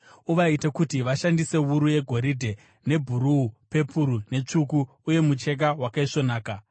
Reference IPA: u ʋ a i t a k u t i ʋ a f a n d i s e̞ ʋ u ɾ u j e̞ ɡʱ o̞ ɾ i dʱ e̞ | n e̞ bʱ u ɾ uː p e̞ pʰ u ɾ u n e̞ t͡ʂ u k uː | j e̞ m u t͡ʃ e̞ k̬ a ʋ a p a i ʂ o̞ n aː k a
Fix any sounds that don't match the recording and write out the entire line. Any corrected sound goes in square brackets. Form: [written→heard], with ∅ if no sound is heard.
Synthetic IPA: u ʋ a i t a k u t i ʋ a [f→ʃ] a n d i s e̞ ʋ u ɾ u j e̞ ɡʱ o̞ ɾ i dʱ e̞ | n e̞ bʱ u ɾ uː p e̞ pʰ u ɾ u n e̞ t͡ʂ u k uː | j e̞ m u t͡ʃ e̞ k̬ a [ʋ→w] a [p→k] a i ʂ o̞ n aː k a